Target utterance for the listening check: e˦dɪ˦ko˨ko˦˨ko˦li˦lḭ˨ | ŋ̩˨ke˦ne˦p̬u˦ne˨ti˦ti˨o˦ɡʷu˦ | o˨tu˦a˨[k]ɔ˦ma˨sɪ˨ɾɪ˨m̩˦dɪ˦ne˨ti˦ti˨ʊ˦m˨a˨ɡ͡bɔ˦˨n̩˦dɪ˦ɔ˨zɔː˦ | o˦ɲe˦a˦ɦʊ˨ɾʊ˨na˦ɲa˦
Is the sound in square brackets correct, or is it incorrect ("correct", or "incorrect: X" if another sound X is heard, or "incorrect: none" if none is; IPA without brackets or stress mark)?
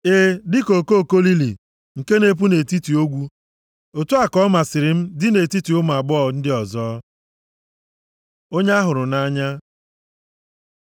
correct